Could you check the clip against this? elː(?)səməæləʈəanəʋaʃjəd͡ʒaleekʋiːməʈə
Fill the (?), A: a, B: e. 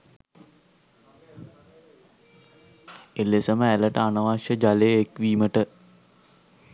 B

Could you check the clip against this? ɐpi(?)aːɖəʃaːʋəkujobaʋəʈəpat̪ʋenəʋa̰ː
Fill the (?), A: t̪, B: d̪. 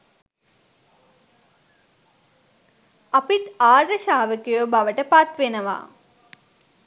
A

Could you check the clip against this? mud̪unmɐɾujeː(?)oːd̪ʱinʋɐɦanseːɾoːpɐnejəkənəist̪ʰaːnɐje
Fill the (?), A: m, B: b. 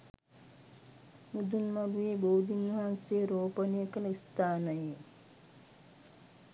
B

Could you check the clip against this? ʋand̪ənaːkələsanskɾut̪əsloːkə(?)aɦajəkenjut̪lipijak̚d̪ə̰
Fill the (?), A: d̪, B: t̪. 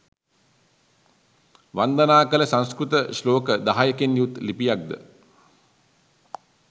A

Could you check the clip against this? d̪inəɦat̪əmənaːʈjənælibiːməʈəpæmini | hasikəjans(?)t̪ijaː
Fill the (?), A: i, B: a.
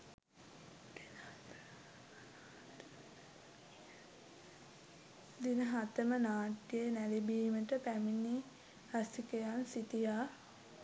A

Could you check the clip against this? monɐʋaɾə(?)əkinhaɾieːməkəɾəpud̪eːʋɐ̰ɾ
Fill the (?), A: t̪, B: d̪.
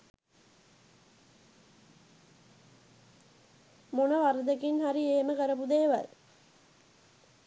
B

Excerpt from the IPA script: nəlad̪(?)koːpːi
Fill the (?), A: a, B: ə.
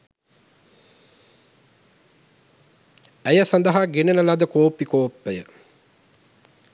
B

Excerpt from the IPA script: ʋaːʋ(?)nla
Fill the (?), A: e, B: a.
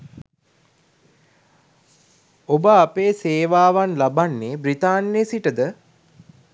B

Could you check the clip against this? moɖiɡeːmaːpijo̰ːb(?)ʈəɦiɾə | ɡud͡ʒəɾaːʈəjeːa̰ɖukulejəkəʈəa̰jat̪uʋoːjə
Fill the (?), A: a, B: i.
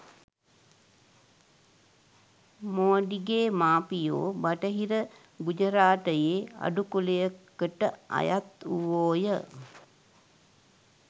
A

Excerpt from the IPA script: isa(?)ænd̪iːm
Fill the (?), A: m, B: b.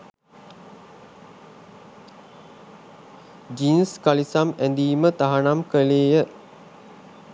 A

